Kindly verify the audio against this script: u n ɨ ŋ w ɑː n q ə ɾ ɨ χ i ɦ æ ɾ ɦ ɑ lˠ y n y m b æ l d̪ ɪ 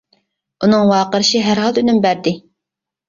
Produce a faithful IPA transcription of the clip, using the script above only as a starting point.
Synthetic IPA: u n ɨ ŋ w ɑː q ə ɾ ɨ ʃ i ɦ æ ɾ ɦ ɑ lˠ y n y m b æ ɾ d̪ ɪ